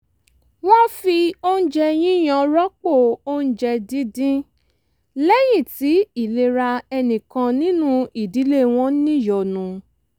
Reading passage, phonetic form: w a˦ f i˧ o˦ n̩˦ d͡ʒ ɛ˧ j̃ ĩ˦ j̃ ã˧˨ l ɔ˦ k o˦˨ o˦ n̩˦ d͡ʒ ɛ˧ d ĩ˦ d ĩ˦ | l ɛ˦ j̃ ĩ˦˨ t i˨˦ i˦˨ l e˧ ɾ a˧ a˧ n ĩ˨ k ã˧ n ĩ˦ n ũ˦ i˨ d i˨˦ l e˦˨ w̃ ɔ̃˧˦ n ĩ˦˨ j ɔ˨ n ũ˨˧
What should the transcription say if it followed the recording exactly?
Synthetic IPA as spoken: w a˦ f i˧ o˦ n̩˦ d͡ʒ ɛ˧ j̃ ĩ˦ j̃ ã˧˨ ɾ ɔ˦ k͡p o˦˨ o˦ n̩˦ d͡ʒ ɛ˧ d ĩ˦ d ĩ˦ | l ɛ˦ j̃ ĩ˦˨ t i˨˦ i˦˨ l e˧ ɾ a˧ ɛ˧ n ĩ˨ k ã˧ n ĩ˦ n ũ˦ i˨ d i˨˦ l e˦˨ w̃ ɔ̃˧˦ n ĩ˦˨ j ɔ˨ n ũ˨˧